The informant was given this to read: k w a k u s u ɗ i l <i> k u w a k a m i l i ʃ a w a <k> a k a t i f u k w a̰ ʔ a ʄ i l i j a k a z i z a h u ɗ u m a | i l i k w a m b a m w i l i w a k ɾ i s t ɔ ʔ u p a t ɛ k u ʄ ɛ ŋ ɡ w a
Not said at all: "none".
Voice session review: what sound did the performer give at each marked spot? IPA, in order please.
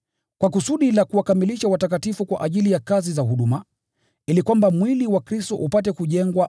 a, t

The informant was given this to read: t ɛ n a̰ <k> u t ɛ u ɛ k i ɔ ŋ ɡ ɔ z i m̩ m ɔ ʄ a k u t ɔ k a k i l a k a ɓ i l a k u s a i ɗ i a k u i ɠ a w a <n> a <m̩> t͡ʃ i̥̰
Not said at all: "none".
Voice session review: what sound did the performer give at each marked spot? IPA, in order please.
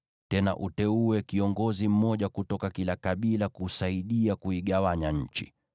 ʔ, ɲ, ɲ̩

